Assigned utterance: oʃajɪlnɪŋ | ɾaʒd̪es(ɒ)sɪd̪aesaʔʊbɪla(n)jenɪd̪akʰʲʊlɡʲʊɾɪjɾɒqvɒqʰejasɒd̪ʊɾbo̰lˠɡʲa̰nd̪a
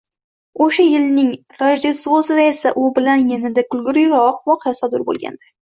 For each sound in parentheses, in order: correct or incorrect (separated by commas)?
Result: incorrect, correct